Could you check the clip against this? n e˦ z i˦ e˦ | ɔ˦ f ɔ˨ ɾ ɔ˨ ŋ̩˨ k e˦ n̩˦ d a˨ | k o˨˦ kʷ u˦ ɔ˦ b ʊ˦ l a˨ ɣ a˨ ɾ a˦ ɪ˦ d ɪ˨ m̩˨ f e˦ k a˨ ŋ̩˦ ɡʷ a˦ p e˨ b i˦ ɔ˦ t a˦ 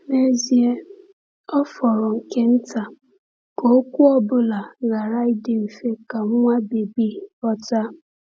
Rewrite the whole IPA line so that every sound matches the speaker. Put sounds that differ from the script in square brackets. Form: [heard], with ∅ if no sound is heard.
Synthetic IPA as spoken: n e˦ z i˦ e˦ | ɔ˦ f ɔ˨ ɾ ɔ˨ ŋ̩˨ k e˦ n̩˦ [t] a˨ | k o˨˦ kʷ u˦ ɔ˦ b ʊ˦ l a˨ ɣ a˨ ɾ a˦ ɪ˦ d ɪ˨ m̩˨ f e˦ k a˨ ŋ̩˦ [ŋʷ] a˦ [b] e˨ b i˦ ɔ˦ t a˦